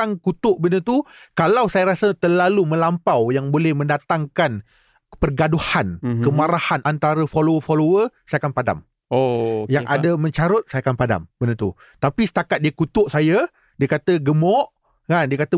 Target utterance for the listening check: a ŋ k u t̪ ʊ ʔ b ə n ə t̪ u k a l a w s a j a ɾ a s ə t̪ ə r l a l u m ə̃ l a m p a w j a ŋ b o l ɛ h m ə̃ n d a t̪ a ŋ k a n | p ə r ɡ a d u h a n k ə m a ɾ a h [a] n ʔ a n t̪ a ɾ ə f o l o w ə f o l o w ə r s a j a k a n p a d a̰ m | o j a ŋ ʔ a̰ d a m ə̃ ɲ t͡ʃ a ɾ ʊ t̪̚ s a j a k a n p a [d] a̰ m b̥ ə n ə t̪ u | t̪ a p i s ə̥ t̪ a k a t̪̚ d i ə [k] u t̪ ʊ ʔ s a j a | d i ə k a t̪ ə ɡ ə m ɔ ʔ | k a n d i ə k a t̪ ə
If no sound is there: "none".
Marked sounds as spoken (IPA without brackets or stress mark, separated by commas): a, d, k